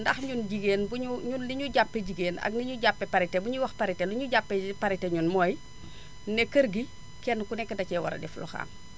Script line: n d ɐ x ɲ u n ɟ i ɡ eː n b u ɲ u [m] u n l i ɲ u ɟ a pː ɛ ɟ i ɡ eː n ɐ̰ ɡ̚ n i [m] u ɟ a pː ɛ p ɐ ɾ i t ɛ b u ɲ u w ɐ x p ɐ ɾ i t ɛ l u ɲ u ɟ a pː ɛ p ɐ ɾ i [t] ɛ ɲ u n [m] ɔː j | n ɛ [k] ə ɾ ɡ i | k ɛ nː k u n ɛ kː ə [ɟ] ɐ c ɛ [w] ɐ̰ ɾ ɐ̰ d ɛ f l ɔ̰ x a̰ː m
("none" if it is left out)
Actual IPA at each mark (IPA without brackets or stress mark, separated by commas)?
ɲ, ɲ, t, m, k, d, w